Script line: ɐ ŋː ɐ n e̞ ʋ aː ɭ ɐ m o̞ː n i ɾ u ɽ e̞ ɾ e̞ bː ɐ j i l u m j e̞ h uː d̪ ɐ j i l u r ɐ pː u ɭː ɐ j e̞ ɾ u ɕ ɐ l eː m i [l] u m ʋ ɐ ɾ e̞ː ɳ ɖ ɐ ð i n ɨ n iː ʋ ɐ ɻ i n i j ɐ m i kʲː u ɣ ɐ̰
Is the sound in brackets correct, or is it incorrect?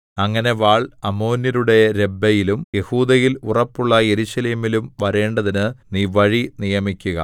correct